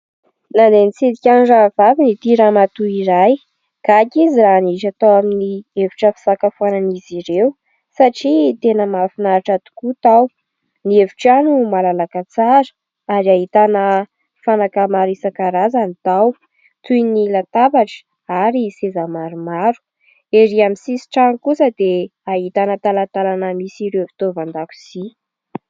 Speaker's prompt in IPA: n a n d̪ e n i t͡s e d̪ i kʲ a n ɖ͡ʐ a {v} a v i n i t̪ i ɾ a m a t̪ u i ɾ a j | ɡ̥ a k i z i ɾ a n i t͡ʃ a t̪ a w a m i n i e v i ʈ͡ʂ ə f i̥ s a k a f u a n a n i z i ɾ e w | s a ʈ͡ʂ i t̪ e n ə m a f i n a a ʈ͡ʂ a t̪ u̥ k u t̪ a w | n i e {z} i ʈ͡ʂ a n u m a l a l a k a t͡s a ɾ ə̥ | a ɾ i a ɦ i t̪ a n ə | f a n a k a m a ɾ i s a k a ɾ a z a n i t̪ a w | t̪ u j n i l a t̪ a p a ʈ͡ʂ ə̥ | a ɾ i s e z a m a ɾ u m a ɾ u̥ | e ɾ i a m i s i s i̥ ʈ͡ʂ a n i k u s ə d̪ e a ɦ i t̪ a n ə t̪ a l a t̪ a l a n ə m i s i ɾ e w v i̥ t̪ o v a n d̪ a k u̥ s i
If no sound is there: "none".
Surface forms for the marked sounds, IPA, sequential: v, v

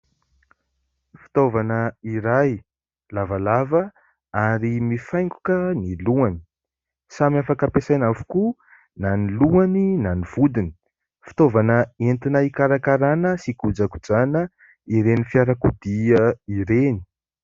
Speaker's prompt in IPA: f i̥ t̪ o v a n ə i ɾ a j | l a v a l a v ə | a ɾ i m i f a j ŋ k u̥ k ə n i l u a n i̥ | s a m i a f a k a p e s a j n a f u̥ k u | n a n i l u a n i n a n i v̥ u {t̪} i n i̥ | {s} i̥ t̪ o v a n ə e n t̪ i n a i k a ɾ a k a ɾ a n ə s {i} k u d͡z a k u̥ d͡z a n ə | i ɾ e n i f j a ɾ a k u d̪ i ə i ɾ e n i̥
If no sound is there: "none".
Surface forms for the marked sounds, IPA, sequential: d̪, f, i

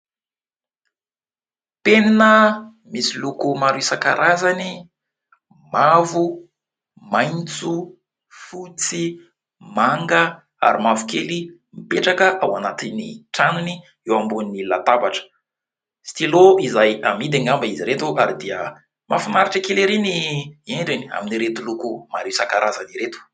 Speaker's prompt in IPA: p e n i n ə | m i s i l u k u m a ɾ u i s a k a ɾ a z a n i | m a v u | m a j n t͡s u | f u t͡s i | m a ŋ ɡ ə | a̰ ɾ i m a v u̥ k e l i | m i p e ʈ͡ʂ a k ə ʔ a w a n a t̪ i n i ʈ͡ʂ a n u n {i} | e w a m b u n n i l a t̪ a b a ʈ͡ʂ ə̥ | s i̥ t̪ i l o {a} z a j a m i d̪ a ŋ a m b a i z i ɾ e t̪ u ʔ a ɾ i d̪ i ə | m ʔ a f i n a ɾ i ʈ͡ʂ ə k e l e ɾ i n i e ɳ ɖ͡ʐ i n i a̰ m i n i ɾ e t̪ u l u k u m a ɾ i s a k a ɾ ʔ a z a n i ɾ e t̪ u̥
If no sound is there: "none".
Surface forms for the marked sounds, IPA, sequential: i, i

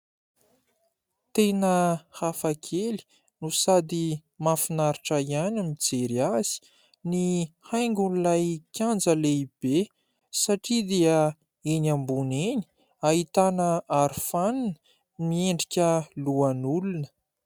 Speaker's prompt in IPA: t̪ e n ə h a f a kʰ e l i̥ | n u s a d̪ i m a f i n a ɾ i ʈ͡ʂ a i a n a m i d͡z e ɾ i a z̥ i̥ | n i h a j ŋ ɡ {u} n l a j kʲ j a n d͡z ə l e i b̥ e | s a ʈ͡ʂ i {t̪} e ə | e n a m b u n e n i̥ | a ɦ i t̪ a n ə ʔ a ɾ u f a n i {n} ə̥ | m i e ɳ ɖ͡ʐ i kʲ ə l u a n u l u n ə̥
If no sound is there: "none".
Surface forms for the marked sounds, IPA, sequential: u, d̪, n

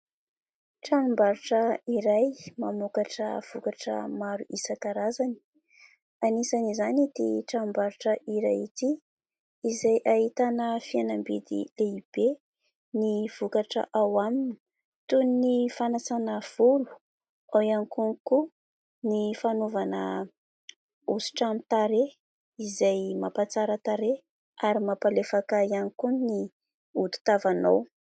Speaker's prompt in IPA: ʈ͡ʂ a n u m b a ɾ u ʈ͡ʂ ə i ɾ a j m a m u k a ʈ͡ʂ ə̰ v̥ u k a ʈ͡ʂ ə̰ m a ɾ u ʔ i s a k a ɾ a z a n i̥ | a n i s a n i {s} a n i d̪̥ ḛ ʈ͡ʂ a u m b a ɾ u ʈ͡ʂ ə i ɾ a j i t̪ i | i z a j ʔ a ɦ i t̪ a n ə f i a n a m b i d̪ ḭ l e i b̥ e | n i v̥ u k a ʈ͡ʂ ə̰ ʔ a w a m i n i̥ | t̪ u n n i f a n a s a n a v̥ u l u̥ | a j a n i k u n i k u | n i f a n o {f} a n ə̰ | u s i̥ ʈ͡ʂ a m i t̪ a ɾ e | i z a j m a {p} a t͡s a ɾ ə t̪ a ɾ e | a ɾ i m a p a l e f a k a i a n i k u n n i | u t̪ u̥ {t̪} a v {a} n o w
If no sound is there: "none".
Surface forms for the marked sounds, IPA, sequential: z, v, p, t̪, a

